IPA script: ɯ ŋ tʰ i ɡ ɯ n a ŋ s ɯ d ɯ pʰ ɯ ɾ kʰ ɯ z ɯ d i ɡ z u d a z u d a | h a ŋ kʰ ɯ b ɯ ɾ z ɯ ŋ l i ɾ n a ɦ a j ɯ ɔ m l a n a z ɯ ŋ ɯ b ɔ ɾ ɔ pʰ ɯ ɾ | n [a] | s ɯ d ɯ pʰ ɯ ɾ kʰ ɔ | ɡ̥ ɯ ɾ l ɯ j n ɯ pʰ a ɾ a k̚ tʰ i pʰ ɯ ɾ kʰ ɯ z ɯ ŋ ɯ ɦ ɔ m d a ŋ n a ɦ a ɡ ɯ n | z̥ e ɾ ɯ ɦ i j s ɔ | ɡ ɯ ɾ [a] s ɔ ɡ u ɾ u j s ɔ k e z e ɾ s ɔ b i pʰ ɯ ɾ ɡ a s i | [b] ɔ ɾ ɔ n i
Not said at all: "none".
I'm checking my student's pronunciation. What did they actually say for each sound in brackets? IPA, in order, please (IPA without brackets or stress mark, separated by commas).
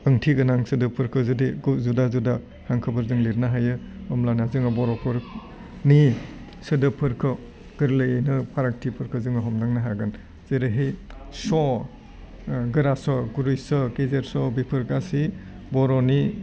i, a, b